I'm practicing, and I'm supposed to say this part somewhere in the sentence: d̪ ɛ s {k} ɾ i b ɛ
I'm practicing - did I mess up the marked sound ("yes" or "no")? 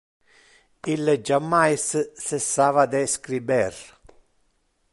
no